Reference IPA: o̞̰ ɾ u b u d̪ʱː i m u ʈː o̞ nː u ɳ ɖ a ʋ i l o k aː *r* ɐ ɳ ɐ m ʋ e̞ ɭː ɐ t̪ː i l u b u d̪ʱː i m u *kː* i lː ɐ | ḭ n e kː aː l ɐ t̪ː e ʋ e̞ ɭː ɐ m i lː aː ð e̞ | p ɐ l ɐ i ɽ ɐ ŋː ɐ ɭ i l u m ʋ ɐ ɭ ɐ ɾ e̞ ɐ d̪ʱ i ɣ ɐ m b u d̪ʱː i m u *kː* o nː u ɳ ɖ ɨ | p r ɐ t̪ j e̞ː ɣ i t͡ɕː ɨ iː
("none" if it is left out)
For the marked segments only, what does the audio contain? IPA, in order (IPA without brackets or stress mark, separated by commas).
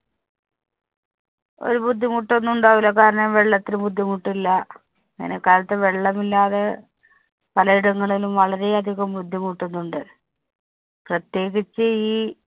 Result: ɾ, ʈː, ʈː